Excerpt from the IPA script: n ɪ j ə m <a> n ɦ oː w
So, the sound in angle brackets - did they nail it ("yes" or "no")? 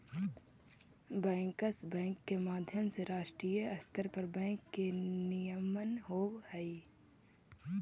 no